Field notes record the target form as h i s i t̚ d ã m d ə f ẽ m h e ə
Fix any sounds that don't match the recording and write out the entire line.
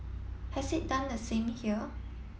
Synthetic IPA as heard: h ɛ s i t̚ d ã n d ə s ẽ m h i ə